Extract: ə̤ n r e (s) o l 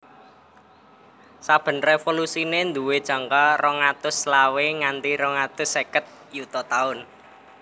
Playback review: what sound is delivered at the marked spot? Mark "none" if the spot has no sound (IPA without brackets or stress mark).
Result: f